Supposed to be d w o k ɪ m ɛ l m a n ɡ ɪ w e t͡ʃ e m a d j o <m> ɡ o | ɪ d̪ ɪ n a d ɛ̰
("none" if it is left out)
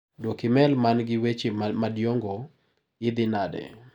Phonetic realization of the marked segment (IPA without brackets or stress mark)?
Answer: ŋ